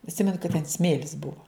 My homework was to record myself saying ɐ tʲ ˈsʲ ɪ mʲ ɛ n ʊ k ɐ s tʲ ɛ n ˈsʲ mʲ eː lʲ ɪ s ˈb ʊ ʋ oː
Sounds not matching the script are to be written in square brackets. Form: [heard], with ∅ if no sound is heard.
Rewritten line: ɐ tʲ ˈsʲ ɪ mʲ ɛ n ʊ k ɐ [t] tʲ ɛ n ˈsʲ mʲ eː lʲ ɪ s ˈb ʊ ʋ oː